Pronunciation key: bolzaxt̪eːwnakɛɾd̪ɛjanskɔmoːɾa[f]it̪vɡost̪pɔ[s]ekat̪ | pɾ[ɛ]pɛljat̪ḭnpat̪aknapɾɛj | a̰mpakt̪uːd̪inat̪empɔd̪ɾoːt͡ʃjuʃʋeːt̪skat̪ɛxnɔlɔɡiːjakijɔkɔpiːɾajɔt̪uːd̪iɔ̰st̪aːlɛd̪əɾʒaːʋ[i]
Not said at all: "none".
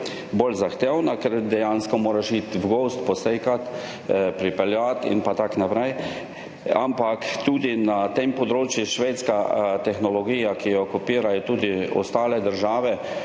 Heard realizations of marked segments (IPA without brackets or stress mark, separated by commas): ʃ, s, i, ɛ